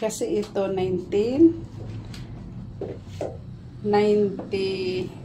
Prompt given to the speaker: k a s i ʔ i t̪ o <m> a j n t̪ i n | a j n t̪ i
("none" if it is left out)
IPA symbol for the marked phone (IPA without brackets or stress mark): n